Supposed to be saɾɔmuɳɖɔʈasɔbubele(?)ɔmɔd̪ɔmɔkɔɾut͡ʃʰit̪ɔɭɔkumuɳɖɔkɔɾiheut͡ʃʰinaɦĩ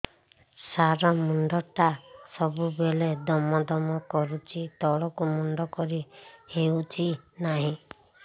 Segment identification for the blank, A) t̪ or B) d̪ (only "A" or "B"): B